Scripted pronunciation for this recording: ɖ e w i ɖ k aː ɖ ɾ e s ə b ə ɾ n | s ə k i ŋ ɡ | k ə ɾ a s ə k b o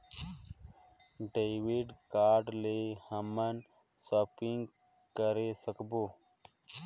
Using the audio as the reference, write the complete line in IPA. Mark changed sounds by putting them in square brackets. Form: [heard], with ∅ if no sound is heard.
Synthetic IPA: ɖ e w i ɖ k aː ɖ [l] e [h] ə [m] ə [∅] n | s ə [p] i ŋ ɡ | k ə ɾ [e] s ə k b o